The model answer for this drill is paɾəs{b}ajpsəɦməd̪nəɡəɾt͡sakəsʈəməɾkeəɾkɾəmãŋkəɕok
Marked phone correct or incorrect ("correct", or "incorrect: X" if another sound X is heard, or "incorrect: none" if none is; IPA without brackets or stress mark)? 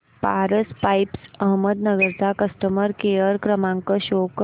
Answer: incorrect: p